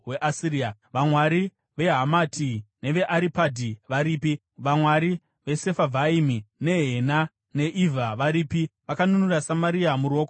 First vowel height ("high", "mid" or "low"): mid